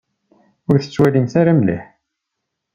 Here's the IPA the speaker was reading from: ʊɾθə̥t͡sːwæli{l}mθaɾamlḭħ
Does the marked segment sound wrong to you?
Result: yes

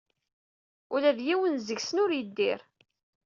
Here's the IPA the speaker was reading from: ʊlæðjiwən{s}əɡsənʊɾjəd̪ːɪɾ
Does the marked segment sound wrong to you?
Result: yes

